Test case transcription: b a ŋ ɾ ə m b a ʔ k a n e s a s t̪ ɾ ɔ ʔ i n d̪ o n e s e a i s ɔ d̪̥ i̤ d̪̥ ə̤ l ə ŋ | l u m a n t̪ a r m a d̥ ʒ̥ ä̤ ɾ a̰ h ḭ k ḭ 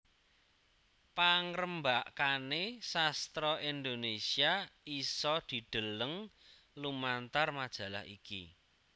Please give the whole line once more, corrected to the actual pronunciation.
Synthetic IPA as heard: p a ŋ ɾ ə m b a ʔ k a n e s a s t̪ ɾ ɔ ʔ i n d̪ o n e s i a i s ɔ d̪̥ i̤ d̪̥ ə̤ l ə ŋ | l u m a n t̪ a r m a d̥ ʒ̥ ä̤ l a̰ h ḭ k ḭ